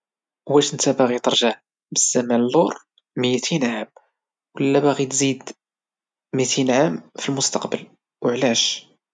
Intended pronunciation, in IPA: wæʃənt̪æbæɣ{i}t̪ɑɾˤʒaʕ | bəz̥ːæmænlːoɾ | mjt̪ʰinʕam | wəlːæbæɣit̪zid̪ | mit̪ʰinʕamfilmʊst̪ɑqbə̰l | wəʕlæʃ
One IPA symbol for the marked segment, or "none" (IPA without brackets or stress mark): i